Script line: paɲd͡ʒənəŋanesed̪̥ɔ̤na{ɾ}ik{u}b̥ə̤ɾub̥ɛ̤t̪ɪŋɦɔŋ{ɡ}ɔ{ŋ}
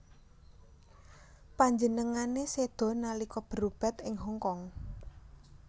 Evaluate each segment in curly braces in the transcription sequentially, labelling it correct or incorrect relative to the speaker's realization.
incorrect: l, incorrect: ɔ, incorrect: k, correct

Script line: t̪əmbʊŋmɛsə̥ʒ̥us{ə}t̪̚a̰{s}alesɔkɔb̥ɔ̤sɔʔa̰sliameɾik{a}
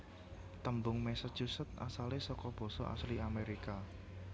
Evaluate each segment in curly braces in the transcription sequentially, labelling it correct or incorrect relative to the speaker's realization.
correct, correct, correct

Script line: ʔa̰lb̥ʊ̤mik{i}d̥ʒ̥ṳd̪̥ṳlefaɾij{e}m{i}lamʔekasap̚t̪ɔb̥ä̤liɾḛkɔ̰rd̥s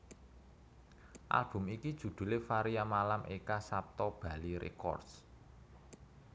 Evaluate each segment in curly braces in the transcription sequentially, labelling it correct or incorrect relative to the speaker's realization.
correct, incorrect: a, incorrect: a

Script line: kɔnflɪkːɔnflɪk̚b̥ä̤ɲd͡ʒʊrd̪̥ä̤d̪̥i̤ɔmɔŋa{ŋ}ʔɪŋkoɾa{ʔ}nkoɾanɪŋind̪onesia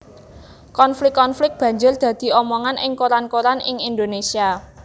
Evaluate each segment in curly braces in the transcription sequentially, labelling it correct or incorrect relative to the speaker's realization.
incorrect: n, incorrect: none

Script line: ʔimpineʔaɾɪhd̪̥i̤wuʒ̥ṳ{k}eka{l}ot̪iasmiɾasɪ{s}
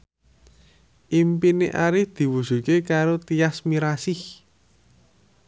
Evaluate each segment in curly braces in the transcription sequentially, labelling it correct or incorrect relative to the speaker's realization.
correct, incorrect: ɾ, incorrect: h

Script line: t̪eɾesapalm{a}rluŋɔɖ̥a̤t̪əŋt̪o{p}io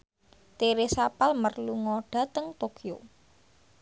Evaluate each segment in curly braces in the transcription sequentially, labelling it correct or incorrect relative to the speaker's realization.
incorrect: ə, incorrect: k

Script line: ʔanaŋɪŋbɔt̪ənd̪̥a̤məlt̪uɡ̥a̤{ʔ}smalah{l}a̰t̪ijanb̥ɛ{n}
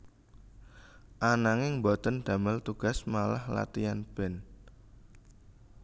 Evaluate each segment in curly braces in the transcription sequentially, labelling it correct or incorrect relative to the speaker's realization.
incorrect: none, correct, correct

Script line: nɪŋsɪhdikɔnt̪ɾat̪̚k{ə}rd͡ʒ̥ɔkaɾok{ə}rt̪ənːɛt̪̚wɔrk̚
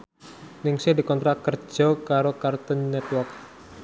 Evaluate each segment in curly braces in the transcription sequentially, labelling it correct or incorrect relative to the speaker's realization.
correct, incorrect: a

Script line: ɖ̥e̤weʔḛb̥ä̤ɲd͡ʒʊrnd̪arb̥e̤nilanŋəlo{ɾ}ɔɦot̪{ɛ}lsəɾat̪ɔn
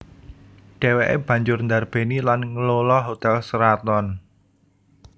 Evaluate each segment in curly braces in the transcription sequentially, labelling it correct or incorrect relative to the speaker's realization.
incorrect: l, correct

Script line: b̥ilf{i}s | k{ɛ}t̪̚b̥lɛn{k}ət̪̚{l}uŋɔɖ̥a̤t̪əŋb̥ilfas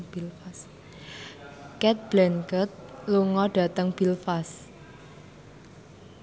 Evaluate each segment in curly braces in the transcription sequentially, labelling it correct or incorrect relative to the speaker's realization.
incorrect: a, correct, correct, correct

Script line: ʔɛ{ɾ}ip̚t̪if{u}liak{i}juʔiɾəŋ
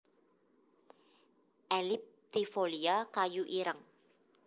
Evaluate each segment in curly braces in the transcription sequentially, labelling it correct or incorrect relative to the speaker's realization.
incorrect: l, incorrect: o, incorrect: a

